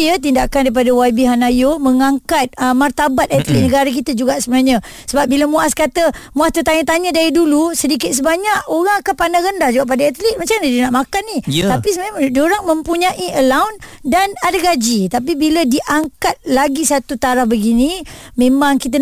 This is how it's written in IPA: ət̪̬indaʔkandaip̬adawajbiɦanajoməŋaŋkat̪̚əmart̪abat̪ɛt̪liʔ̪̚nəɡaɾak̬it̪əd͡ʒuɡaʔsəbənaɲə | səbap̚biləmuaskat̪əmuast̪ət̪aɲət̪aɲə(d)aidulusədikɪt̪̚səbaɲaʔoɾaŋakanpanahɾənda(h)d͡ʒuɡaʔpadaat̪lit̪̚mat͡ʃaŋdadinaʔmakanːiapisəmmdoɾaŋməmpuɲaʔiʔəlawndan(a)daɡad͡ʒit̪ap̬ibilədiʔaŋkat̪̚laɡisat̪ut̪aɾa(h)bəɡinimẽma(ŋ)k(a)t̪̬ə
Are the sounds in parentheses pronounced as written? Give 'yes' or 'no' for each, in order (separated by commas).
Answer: yes, yes, yes, yes, yes, no